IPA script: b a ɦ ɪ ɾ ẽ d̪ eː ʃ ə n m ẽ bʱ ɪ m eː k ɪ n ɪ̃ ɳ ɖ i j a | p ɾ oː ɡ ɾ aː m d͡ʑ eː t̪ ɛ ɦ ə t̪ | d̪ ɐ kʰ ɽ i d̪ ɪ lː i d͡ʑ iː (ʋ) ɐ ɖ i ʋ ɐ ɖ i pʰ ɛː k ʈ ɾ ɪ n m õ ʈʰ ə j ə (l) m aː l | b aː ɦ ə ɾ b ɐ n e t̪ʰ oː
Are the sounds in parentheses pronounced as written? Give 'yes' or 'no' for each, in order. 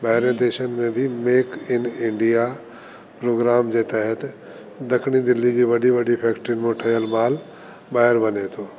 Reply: yes, yes

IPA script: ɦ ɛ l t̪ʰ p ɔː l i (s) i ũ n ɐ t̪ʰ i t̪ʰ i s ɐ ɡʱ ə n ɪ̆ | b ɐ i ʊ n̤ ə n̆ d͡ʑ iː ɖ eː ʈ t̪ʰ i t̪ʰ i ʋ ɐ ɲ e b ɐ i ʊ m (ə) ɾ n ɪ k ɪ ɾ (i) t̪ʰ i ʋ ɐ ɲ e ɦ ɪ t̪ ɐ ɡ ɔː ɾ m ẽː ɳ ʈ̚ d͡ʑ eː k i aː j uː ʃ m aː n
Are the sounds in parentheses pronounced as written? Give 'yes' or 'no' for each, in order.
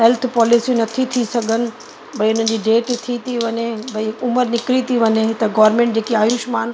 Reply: yes, yes, yes

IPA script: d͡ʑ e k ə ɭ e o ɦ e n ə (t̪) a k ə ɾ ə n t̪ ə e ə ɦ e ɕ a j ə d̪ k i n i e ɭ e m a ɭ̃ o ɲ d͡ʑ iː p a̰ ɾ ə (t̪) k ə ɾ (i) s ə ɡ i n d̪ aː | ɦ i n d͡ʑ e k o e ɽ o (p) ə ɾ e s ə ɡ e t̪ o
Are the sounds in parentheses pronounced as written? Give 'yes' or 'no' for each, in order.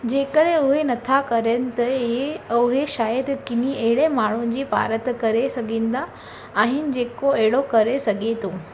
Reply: no, yes, no, no

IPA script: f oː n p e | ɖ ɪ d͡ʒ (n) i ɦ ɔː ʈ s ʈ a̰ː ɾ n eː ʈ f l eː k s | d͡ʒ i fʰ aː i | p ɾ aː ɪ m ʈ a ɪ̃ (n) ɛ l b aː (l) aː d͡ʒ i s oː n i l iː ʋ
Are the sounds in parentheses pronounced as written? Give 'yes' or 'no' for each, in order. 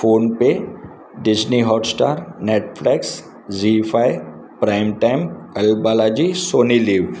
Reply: yes, no, yes

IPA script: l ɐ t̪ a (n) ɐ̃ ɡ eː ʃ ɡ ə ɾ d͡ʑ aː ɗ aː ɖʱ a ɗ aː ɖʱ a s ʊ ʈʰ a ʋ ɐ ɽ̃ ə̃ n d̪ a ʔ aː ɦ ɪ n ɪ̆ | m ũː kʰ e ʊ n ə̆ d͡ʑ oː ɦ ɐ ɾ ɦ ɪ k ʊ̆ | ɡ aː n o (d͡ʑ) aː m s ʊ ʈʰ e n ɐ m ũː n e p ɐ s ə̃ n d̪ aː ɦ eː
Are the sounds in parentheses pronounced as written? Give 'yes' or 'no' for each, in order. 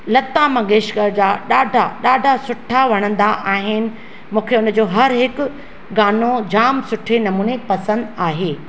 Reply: no, yes

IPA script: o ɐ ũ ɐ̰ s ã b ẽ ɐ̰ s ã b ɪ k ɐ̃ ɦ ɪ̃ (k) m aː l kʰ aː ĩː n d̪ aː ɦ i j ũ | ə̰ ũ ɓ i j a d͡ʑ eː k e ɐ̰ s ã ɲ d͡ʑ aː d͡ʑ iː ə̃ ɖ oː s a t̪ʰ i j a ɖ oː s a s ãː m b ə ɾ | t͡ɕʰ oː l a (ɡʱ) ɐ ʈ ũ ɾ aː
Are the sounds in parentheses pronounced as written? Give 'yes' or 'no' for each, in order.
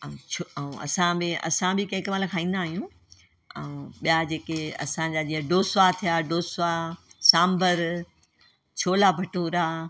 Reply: yes, no

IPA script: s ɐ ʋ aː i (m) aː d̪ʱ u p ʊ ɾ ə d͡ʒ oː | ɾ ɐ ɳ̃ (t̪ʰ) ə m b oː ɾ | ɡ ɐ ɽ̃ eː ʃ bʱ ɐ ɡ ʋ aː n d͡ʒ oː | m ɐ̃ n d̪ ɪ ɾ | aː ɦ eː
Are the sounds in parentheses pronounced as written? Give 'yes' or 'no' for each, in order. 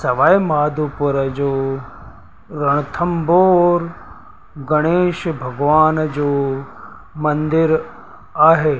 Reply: yes, yes

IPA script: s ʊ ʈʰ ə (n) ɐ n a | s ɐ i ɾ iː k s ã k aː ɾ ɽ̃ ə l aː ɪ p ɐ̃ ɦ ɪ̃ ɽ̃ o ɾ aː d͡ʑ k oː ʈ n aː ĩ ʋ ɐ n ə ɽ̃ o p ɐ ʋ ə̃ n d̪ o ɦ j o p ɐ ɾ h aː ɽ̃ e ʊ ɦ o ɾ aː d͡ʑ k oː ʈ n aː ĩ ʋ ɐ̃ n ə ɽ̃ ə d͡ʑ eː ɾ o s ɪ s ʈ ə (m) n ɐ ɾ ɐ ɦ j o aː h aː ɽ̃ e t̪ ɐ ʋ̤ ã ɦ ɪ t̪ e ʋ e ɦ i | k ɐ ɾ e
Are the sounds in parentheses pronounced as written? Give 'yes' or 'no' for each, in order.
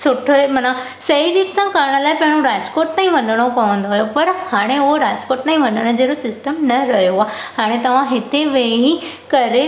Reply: no, yes

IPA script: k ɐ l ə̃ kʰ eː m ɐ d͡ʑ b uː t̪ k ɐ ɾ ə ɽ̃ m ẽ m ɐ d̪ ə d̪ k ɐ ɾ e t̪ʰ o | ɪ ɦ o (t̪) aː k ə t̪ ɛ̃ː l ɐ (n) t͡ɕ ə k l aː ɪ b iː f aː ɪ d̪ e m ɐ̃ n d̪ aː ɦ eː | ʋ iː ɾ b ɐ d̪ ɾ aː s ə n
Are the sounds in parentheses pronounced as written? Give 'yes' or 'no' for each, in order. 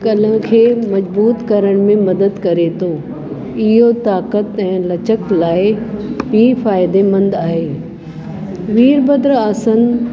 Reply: yes, no

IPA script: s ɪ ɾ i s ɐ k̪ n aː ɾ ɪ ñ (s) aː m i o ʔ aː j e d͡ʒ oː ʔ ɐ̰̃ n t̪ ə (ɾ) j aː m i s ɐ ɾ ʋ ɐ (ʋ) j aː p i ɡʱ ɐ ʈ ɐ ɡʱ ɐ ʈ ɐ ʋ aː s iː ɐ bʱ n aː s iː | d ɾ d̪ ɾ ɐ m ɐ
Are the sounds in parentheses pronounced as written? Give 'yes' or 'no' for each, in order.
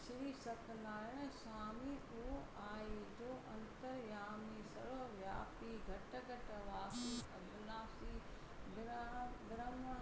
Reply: yes, yes, yes

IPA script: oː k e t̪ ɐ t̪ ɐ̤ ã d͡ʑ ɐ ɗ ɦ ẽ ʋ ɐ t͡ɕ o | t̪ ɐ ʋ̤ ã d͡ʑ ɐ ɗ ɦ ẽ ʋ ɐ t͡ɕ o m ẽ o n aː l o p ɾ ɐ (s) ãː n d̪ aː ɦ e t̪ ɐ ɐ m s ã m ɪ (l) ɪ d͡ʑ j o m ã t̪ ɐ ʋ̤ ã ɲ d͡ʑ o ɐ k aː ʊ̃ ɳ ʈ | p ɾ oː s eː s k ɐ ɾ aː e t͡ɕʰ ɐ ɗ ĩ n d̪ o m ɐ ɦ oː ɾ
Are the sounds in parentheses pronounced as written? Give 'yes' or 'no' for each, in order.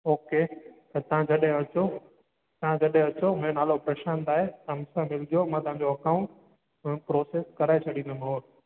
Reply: no, yes

